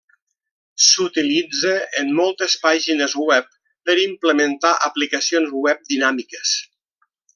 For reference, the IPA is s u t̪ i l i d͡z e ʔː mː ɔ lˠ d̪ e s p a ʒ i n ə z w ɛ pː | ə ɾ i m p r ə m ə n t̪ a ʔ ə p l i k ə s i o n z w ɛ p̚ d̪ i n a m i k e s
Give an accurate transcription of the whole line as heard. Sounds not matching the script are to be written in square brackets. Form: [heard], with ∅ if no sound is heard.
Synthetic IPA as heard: s u t̪ i l i d͡z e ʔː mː ɔ lˠ [t̪] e s p a ʒ i n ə z w ɛ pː | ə ɾ i m p [l] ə m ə n t̪ a ʔ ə p l i k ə s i o n z w ɛ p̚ d̪ i n a m i k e s